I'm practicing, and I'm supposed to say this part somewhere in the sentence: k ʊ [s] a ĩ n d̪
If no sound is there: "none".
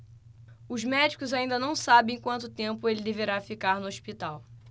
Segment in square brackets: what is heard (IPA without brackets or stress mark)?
z